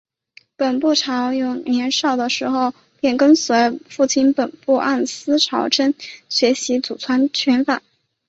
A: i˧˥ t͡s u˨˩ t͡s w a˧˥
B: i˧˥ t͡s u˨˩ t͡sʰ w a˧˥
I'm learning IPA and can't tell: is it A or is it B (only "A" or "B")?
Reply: B